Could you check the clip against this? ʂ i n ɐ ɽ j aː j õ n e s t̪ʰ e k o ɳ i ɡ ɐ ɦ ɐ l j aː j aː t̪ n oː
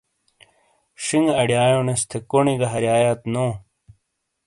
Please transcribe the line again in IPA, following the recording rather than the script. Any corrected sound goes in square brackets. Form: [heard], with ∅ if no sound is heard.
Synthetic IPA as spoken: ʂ i [ŋ] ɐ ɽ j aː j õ n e s t̪ʰ e k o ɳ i ɡ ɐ ɦ ɐ [ɾ] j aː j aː t̪ n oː